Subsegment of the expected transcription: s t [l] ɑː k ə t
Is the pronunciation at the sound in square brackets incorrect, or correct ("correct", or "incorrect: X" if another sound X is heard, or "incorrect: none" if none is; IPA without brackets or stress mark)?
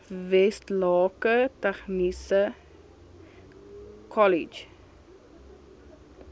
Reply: correct